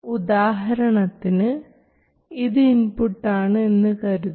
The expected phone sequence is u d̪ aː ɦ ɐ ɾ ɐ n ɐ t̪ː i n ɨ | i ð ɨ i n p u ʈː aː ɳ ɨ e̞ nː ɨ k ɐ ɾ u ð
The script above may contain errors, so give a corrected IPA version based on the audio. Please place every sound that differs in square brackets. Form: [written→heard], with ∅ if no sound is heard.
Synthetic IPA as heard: u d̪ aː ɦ ɐ ɾ ɐ [n→ɳ] ɐ t̪ː i n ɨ | i ð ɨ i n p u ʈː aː ɳ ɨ e̞ nː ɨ k ɐ ɾ u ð